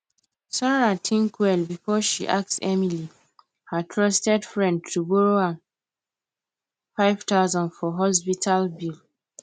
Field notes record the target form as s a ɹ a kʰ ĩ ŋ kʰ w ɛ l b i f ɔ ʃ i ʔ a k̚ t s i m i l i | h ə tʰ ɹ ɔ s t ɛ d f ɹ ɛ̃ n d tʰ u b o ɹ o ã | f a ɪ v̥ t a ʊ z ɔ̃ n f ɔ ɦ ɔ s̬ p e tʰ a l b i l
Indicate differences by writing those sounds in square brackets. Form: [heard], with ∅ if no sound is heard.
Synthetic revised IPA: s a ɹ a [tʰ] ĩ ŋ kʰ w ɛ l b i f ɔ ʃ i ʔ a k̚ t s [ɛ] m i l i | h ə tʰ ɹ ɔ s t ɛ d f ɹ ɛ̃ n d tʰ u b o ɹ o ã | f a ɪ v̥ t a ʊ z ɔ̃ n f ɔ ɦ ɔ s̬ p [i] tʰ a l b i l

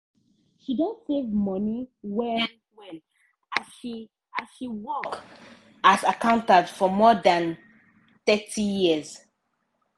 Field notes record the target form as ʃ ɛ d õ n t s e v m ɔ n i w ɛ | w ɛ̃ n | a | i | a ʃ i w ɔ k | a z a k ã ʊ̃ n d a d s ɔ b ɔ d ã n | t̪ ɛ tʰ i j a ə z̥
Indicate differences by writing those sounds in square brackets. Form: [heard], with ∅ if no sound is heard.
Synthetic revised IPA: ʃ [i] d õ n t s e v m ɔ n i w ɛ | w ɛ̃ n | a | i | a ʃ i w ɔ k | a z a k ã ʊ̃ n [t] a d [f] ɔ [m] ɔ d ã n | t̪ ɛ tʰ i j [i] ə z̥

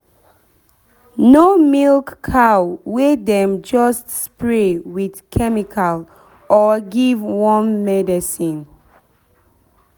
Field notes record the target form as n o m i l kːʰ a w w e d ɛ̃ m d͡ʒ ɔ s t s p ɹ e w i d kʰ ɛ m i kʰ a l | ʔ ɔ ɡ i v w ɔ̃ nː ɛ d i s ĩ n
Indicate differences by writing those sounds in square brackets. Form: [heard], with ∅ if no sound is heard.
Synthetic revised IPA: n o m i l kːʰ a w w e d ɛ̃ m d͡ʒ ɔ s t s p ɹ e w i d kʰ ɛ m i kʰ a l | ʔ ɔ ɡ i v w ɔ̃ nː ɛ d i s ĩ n

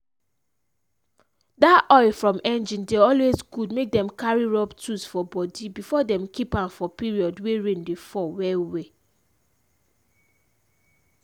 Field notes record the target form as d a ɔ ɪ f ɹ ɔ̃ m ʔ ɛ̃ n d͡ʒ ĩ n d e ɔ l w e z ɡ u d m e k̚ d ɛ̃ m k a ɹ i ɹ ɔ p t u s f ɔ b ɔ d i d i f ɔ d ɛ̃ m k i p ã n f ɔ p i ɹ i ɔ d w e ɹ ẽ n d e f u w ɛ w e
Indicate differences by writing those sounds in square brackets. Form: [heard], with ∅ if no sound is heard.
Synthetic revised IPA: d a ɔ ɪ f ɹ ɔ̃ m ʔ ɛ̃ n d͡ʒ ĩ n d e ɔ l w e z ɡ u d m e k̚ d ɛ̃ m k a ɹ i ɹ ɔ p t u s f ɔ b ɔ d i [b] i f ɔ d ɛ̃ m k i p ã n f ɔ p i ɹ i ɔ d w e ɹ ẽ n d e f [ɔ] w ɛ w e

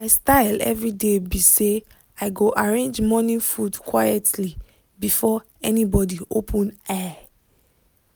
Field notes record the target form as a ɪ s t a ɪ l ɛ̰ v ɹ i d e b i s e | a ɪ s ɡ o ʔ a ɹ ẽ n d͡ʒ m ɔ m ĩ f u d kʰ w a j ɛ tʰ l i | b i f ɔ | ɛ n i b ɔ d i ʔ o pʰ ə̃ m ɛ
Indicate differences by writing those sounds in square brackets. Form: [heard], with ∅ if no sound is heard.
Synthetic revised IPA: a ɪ s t a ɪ l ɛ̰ v ɹ i d e b i s e | a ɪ [∅] ɡ o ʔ a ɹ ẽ n d͡ʒ m ɔ [n] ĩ f u d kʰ w a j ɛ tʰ l i | b i f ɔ | ɛ n i b ɔ d i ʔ o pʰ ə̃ [n] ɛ

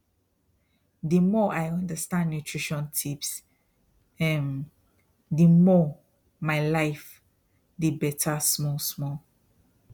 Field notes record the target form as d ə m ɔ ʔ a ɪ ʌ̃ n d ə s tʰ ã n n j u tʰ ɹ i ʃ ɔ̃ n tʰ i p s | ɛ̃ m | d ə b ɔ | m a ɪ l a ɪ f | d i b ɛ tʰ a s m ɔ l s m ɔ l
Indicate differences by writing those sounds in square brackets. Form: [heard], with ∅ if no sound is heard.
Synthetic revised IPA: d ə m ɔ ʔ a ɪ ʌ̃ n d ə s [t] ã n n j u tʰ ɹ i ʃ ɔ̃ n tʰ i p s | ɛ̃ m | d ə [m] ɔ | m a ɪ l a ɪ f | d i b ɛ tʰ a s m ɔ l s m ɔ l

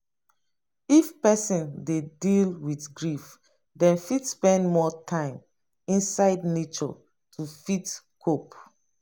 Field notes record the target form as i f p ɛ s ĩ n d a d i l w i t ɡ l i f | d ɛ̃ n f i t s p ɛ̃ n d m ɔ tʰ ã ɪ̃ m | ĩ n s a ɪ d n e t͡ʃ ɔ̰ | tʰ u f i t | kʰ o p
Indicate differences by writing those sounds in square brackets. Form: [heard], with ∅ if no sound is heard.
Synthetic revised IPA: i f p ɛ s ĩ n d [e] d i l w i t ɡ [ɹ] i f | d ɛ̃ n f i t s p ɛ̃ n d m ɔ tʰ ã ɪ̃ m | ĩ n s a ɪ d n e t͡ʃ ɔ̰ | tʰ u f i t | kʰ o p

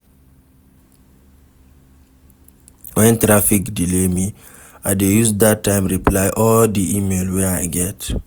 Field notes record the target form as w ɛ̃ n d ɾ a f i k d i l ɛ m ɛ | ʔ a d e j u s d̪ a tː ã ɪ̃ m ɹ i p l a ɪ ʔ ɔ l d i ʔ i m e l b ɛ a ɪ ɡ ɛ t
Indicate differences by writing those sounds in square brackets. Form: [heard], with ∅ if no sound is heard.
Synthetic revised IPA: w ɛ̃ n [t] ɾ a f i k d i l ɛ m [i] | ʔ a d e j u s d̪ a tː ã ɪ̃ m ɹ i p l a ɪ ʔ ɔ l d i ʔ i m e l [w] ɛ a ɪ ɡ ɛ t

